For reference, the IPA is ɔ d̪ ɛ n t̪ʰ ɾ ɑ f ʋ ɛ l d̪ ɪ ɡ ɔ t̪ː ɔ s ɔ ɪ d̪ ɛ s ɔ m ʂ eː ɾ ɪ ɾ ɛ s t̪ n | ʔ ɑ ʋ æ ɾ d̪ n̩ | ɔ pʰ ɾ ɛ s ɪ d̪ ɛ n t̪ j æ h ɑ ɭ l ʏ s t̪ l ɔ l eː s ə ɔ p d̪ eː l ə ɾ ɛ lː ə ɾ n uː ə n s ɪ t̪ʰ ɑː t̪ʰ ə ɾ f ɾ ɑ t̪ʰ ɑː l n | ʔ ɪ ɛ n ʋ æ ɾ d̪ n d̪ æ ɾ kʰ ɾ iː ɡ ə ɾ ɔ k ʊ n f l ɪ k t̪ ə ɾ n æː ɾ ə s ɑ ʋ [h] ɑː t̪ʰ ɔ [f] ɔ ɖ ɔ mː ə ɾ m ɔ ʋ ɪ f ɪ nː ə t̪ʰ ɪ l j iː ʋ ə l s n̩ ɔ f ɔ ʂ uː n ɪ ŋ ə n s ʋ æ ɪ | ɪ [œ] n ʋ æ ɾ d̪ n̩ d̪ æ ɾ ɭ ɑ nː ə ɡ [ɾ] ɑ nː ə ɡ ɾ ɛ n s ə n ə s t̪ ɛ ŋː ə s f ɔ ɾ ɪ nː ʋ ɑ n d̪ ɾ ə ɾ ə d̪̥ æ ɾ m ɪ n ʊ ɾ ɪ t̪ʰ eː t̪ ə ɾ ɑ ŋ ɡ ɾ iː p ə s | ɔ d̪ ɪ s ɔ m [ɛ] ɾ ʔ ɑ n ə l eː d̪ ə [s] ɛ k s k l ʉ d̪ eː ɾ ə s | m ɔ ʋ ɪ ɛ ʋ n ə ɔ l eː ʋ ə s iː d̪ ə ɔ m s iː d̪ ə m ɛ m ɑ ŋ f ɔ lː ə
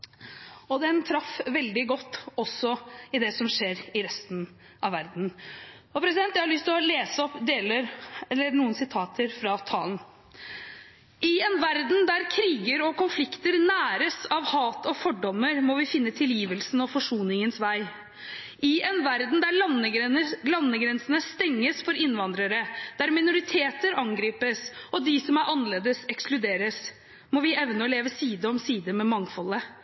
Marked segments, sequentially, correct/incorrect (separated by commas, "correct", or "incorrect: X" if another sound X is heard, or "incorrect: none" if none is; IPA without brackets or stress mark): correct, correct, incorrect: ɛ, incorrect: l, incorrect: æ, correct